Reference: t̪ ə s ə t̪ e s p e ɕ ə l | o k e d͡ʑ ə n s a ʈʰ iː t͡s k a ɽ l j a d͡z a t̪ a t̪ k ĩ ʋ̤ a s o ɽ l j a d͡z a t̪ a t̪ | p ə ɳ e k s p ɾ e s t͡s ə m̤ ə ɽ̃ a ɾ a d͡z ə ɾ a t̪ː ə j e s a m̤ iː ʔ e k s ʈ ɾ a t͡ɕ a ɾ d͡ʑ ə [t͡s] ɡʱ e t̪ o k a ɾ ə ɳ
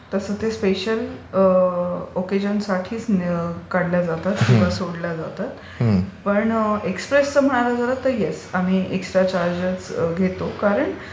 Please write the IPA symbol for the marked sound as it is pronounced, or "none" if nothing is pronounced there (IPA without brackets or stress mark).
t͡s